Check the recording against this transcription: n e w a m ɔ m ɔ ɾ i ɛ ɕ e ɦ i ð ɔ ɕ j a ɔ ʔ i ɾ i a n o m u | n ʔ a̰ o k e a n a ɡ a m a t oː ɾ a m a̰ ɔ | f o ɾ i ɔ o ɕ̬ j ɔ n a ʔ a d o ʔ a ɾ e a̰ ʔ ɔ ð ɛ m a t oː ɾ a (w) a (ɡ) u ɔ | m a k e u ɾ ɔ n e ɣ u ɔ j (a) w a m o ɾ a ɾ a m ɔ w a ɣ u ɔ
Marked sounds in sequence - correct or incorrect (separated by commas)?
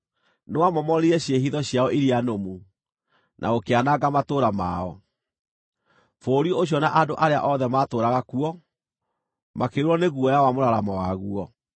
incorrect, incorrect, correct